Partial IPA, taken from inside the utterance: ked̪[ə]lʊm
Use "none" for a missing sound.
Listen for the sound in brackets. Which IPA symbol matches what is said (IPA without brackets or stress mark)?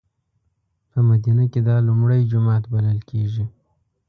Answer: ɑ